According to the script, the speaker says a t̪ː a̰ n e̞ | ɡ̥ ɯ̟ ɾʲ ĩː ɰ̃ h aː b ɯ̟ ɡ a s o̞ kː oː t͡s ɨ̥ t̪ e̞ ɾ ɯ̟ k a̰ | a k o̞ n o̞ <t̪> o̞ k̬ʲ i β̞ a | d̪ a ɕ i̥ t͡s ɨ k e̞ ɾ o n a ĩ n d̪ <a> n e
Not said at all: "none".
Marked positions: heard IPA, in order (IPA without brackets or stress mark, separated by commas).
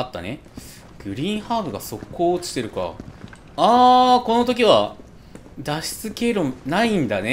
t̪, a